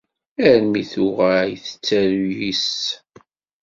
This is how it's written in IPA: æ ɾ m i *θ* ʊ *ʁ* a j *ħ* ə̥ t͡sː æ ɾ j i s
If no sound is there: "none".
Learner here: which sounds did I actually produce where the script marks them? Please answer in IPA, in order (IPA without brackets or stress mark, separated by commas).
θ, ʁ, θ